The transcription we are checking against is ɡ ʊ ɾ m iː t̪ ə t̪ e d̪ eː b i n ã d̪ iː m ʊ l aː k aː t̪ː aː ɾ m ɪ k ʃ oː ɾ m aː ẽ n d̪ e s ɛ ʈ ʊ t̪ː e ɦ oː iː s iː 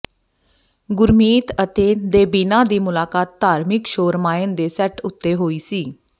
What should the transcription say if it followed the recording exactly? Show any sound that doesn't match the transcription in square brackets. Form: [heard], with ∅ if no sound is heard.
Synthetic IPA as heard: ɡ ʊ ɾ m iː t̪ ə t̪ e d̪ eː b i n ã d̪ iː m ʊ l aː k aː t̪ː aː ɾ m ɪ k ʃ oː ɾ m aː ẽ n d̪ e s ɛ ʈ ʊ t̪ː e ɦ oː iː s iː